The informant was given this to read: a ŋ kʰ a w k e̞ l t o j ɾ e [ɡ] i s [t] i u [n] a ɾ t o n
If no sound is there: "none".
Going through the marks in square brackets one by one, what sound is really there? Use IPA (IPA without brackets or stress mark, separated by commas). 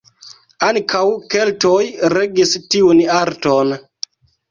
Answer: ɡ, t, n